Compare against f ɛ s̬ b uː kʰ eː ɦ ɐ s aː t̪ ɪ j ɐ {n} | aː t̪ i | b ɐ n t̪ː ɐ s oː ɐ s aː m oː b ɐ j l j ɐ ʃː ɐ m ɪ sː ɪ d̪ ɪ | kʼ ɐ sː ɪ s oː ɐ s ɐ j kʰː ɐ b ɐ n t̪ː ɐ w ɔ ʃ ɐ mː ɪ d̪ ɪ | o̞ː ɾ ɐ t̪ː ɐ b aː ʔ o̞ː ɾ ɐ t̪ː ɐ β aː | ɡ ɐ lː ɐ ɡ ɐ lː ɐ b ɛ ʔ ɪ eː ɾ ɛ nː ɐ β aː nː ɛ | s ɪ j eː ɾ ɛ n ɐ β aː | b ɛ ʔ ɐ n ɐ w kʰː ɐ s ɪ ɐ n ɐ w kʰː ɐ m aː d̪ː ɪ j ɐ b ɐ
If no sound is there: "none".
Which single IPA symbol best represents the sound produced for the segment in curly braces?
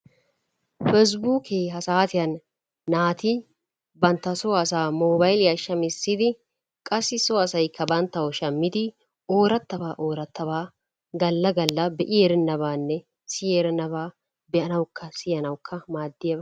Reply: nː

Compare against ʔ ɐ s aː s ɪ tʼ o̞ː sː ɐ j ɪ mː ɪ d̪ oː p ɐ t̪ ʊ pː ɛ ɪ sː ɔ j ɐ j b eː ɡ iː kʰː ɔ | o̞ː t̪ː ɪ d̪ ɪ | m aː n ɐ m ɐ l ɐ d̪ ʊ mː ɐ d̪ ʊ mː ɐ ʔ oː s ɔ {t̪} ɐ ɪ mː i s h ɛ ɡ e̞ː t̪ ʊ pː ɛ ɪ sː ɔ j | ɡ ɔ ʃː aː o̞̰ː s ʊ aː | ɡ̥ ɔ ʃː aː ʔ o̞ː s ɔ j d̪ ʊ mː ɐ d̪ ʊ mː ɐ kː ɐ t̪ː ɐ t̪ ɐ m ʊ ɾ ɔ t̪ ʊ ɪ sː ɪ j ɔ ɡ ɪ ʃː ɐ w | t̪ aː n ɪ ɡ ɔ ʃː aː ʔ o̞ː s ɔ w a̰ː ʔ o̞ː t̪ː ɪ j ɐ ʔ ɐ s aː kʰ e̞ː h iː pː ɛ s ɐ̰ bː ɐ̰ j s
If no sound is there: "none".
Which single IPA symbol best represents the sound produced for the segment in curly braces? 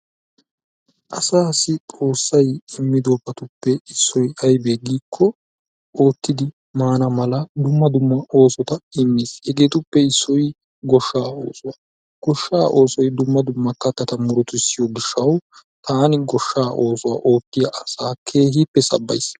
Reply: t̪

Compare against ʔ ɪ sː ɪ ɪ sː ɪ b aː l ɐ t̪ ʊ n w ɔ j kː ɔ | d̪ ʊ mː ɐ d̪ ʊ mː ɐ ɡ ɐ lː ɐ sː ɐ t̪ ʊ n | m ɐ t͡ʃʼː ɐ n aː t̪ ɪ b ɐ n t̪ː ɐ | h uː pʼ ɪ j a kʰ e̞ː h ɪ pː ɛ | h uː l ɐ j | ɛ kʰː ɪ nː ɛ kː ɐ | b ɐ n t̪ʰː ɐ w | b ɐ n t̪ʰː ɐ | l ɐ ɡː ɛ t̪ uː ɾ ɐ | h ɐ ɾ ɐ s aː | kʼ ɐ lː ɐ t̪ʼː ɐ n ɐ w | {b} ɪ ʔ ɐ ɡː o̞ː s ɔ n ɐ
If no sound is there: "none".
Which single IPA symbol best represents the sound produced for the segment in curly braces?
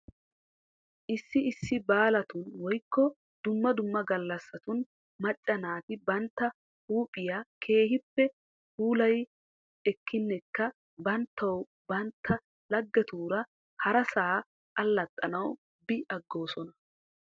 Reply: b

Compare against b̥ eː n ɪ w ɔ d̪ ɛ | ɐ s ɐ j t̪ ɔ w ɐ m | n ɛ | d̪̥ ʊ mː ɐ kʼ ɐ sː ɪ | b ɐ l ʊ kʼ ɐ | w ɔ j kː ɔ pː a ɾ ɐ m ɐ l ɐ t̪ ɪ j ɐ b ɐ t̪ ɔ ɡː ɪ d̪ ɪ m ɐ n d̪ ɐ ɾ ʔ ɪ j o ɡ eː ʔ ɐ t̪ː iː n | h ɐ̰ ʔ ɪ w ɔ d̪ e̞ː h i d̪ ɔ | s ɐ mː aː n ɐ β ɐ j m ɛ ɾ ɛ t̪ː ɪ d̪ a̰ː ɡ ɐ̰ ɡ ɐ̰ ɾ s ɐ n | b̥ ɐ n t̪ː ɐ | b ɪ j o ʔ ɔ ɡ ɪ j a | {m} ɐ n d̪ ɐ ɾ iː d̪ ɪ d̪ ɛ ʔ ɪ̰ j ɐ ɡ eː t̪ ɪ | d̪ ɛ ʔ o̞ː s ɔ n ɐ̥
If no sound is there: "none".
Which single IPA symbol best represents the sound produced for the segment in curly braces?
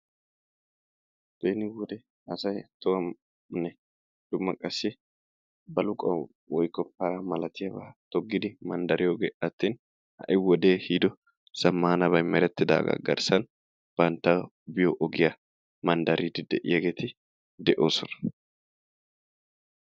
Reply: m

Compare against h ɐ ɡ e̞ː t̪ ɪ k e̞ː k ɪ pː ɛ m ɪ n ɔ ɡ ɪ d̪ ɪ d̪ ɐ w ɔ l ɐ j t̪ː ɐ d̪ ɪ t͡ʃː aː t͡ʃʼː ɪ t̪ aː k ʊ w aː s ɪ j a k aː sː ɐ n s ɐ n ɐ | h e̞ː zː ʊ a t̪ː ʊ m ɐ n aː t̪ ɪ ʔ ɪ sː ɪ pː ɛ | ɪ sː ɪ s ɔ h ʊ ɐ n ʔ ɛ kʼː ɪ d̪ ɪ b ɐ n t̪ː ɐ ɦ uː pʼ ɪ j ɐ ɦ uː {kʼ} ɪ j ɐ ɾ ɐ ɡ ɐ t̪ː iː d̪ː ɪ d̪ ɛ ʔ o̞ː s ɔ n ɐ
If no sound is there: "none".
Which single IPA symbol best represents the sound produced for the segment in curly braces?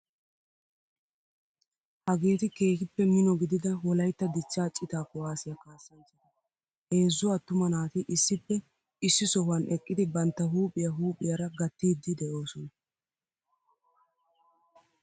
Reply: pʼ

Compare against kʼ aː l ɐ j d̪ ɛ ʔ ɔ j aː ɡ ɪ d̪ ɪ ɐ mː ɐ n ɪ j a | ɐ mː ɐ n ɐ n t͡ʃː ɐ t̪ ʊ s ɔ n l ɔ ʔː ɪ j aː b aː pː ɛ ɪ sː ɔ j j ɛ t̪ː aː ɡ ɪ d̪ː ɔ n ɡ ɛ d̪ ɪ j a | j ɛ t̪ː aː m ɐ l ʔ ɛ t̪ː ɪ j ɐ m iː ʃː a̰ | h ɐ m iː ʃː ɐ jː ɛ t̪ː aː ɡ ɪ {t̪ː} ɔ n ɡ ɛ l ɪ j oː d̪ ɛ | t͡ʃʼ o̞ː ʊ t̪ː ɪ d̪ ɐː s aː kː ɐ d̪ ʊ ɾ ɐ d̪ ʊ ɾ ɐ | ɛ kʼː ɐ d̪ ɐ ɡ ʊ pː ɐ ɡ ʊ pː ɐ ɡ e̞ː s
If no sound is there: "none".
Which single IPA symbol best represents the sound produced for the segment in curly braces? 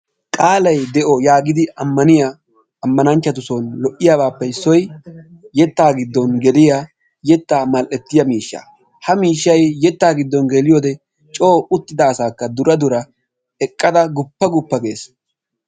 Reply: d̪ː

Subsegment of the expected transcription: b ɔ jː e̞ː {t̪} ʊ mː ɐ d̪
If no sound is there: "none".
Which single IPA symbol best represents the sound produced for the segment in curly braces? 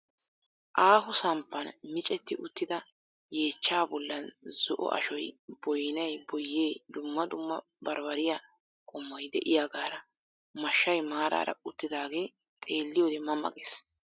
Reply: d̪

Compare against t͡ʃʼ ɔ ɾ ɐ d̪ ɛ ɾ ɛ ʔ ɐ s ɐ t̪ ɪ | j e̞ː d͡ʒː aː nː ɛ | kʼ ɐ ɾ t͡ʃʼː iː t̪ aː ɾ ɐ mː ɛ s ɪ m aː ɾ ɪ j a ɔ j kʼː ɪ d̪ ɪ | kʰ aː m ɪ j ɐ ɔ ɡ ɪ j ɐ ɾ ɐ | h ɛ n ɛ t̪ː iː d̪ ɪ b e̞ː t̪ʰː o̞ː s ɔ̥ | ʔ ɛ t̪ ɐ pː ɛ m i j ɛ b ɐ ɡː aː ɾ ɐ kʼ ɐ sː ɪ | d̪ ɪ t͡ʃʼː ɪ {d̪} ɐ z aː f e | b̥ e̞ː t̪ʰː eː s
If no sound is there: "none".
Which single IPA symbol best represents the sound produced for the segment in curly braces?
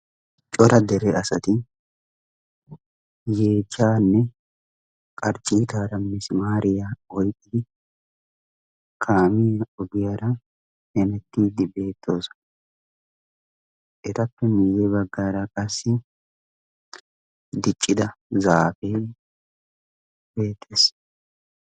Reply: d̪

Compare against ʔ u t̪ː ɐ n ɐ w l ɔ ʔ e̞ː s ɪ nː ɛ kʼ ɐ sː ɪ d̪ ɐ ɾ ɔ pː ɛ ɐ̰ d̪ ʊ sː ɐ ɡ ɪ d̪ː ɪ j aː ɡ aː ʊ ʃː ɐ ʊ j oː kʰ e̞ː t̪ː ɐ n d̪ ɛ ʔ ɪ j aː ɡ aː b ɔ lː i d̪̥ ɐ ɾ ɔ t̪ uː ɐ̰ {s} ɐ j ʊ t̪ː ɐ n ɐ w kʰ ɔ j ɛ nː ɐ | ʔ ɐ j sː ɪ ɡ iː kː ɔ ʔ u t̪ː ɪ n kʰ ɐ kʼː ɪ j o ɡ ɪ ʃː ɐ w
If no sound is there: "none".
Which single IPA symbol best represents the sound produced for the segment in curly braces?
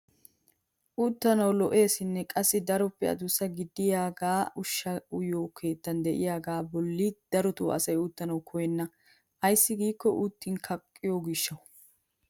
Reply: s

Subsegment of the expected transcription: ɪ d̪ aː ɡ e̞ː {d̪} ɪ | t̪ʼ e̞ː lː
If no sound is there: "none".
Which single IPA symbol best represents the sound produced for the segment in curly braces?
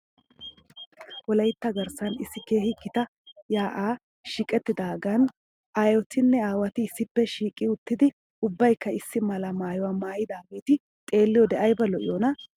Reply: t̪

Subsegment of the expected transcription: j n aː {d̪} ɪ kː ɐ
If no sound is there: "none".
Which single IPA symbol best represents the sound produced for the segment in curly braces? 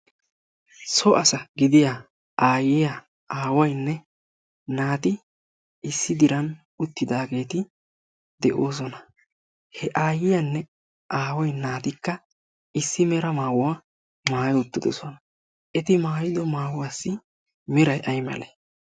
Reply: t̪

